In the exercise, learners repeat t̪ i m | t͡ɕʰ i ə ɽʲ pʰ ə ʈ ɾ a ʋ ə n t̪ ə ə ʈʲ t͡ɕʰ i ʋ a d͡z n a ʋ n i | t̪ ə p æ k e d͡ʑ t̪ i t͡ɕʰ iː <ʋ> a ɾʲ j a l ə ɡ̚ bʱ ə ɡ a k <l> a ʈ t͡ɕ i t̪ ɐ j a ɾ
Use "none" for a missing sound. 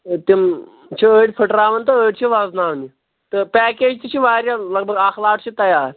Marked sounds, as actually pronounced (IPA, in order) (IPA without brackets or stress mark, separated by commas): ʋ, l